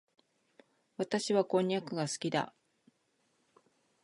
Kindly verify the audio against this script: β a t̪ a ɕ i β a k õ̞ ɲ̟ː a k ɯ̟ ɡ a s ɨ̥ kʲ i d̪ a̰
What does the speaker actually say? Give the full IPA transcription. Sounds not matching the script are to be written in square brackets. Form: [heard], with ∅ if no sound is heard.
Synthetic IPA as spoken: β a t̪ a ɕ i β a k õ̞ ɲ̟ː a k ɯ̟ ɡ a s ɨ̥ kʲ i d̪ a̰